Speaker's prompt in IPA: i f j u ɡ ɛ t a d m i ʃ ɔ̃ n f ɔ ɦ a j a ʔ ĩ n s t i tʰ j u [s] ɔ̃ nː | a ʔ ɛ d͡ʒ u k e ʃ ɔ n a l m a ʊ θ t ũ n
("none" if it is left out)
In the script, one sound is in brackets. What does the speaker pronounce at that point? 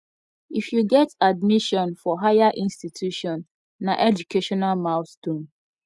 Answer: ʃ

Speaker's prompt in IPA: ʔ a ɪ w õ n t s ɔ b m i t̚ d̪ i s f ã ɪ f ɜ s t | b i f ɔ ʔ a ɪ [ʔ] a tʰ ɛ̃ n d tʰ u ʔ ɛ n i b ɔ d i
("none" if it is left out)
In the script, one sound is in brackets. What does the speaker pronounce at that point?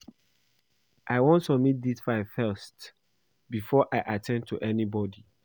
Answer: ʔ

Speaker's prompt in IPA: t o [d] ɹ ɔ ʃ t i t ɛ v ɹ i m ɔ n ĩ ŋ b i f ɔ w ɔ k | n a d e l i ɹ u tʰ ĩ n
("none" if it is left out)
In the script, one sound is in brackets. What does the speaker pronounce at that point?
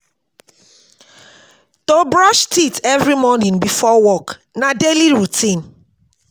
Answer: b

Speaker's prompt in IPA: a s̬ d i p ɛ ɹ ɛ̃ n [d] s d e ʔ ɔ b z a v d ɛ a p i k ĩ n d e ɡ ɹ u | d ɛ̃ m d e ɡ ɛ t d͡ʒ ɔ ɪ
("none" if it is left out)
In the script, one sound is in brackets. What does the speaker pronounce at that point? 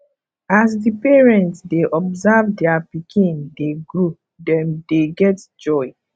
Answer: t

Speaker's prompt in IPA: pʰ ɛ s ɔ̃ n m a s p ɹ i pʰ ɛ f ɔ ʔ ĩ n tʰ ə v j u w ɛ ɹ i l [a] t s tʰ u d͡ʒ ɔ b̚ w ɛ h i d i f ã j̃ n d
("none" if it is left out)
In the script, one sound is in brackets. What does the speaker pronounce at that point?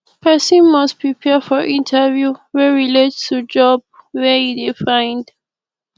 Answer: e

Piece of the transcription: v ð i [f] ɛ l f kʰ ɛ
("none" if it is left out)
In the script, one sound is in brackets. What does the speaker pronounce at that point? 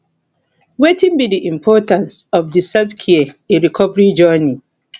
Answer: s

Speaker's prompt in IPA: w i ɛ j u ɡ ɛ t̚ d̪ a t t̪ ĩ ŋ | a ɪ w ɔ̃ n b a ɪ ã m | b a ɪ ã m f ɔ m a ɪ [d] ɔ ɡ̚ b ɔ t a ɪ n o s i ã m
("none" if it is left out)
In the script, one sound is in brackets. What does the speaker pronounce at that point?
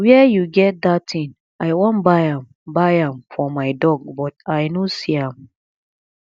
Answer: d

